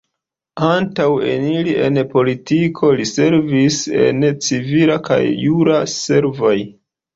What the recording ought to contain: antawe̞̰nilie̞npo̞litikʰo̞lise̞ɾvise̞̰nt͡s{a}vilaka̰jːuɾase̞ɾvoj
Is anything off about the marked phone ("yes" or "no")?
yes